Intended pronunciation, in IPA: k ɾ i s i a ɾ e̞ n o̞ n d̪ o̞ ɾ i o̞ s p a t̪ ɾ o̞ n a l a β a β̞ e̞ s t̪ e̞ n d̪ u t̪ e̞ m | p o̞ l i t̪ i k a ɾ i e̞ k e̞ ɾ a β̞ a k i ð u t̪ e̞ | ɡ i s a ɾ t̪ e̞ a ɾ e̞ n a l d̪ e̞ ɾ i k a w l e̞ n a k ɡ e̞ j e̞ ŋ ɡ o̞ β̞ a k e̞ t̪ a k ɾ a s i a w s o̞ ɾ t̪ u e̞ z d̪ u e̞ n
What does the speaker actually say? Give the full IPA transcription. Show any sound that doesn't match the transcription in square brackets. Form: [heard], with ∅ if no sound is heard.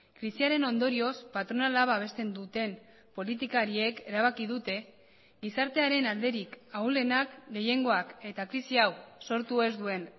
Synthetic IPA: k ɾ i s i a ɾ e̞ n o̞ n d̪ o̞ ɾ i o̞ s p a t̪ ɾ o̞ n a l a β a β̞ e̞ s t̪ e̞ n d̪ u t̪ e̞ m | p o̞ l i t̪ i k a ɾ i e̞ k e̞ ɾ a β̞ a k i ð u t̪ e̞ | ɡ i s a ɾ t̪ e̞ a ɾ e̞ n a l d̪ e̞ ɾ i k a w l e̞ n a k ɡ e̞ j e̞ ŋ ɡ o̞ [∅] a k e̞ t̪ a k ɾ [i] s i a w s o̞ ɾ t̪ u e̞ z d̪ u e̞ n